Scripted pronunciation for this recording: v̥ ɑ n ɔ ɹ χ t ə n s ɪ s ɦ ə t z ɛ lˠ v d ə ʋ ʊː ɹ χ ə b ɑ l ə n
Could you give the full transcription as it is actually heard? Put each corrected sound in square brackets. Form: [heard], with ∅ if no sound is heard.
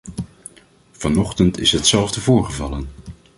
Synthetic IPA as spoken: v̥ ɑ n ɔ [∅] χ t ə n [t] ɪ s ɦ ə t [s] ɛ lˠ v d ə [v] ʊː ɹ χ ə [v] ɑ l ə n